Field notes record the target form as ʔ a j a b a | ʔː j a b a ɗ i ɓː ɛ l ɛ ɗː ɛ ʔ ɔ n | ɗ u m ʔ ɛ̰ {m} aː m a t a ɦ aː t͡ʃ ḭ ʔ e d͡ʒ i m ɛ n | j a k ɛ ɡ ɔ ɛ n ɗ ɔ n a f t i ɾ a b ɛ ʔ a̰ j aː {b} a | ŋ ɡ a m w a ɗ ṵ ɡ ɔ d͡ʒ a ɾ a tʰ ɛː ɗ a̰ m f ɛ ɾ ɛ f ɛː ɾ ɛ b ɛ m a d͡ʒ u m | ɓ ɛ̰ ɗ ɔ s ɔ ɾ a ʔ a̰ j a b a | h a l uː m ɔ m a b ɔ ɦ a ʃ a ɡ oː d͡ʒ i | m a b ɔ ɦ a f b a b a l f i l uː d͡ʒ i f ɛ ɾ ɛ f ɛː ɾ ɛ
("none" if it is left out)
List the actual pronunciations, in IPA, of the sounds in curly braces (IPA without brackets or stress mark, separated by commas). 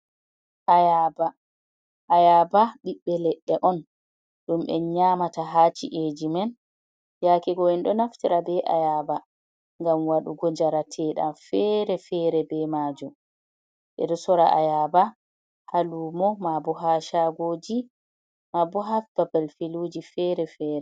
ɲ, b